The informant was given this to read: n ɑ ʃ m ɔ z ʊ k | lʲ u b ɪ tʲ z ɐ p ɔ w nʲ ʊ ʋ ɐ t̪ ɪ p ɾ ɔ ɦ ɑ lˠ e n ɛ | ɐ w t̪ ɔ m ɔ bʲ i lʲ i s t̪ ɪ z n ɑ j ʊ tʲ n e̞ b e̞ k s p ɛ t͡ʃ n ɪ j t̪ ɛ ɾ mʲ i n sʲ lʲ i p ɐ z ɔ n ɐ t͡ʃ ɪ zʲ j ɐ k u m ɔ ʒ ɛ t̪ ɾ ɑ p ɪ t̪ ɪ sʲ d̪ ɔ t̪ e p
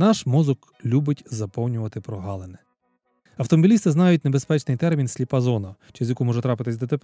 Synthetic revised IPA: n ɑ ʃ m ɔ z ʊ k | lʲ u b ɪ tʲ z ɐ p ɔ w nʲ ʊ ʋ ɐ t̪ ɪ p ɾ ɔ ɦ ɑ lˠ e n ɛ | ɐ w t̪ ɔ m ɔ bʲ i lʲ i s t̪ ɪ z n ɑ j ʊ tʲ n e̞ b e̞ s p ɛ t͡ʃ n ɪ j t̪ ɛ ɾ mʲ i n sʲ lʲ i p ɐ z ɔ n ɐ t͡ʃ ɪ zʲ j ɐ k u m ɔ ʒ ɛ t̪ ɾ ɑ p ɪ t̪ ɪ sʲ d̪ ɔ t̪ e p